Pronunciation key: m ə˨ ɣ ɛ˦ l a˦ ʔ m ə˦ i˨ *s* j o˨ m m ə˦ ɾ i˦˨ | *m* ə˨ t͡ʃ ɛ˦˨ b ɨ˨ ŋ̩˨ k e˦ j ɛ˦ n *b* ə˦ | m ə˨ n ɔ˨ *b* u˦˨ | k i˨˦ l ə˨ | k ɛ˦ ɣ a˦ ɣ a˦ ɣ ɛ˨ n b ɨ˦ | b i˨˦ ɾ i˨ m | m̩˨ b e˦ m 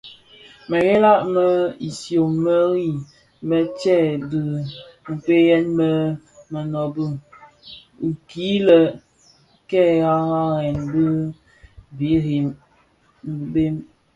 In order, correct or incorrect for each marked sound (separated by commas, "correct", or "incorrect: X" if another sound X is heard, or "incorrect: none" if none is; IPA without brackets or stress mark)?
correct, correct, incorrect: m, correct